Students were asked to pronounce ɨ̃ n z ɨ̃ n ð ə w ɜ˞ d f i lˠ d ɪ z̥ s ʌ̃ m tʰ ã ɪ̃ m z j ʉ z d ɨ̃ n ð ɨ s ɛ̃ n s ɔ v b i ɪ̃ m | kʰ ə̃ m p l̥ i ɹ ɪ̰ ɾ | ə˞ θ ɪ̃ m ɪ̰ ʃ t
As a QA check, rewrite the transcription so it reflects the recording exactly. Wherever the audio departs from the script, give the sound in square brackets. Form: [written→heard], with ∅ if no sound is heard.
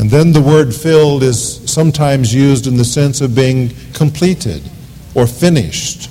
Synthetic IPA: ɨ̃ n [z→ð] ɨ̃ n ð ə w ɜ˞ d f [i→ɪ] lˠ d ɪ z̥ s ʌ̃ m tʰ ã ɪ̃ m z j ʉ z d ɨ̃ n ð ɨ s ɛ̃ n s [ɔ→ʌ] v b i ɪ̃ [m→ŋ] | kʰ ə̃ m [p→pʰ] l̥ i [ɹ→ɾ] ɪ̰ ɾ | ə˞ [θ→f] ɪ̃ [m→n] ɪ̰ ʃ t